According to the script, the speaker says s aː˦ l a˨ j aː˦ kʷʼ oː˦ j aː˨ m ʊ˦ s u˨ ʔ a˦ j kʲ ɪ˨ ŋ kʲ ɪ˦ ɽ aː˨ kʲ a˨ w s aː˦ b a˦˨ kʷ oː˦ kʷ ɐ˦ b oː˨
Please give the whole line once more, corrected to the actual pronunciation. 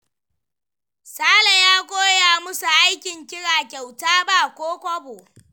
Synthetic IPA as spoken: s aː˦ l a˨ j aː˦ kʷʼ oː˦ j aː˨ m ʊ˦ s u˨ ʔ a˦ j kʲ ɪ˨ ŋ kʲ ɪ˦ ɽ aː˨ kʲ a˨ w t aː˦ b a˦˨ kʷ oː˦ kʷ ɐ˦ b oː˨